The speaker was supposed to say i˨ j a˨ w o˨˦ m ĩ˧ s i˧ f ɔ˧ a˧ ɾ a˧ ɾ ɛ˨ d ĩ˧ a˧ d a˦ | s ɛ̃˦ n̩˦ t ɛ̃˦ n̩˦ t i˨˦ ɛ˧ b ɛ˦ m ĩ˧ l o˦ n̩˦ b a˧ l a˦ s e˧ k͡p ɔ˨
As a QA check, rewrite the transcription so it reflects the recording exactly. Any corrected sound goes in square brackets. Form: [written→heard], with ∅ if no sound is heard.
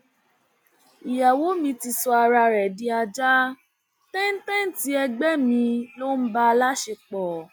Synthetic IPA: i˨ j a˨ w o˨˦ m ĩ˧ [s→t] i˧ [f→s] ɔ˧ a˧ ɾ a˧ ɾ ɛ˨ d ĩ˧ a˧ [d→d͡ʒ] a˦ | [s→t] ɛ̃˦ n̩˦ t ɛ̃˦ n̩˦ t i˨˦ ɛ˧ [b→ɡ͡b] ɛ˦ m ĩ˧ l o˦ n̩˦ b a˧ l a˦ [s→ʃ] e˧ k͡p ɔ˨